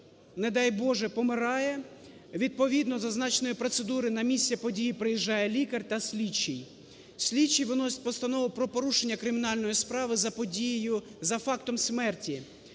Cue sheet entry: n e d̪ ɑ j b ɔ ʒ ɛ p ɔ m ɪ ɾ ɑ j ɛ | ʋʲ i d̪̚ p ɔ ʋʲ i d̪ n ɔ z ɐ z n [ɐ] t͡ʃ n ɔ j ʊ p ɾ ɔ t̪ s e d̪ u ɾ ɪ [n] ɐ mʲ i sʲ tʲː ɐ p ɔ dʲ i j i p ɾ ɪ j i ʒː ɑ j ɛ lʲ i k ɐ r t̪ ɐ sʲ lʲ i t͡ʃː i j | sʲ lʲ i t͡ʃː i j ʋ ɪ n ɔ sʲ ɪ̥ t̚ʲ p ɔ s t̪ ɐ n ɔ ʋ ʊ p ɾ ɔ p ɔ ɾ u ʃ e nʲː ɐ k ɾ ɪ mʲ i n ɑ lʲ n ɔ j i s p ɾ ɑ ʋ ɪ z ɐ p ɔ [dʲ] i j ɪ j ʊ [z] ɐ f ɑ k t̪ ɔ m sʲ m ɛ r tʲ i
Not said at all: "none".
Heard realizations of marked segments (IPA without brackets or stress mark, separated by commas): ɑ, n, dʲ, z